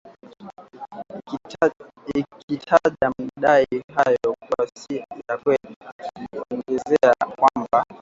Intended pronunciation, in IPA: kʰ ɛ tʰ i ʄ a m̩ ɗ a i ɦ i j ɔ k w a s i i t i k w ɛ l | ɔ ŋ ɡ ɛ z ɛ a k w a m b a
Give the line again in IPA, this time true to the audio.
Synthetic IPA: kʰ i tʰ a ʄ a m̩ ɗ a i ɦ a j ɔ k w a s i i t a k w ɛ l | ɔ ŋ ɡ ɛ z ɛ a k w a m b a